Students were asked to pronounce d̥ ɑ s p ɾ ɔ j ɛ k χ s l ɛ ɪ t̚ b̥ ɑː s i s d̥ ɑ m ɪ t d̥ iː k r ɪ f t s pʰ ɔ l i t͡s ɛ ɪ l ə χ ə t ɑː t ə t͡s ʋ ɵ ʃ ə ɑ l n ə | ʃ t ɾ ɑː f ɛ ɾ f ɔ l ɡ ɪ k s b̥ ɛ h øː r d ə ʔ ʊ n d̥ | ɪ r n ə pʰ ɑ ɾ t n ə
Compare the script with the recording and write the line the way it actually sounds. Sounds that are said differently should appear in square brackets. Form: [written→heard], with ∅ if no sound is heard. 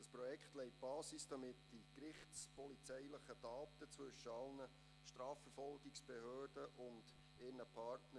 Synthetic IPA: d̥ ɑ s p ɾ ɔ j ɛ k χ [s→t] l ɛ ɪ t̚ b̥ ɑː s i s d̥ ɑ m ɪ t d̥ [iː→i] k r ɪ [f→χ] t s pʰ ɔ l i t͡s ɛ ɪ l ə χ ə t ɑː t ə t͡s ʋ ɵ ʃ ə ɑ l n ə | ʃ t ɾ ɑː f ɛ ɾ f ɔ l ɡ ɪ k s b̥ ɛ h øː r d ə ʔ ʊ n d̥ | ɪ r n ə pʰ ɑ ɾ t n ə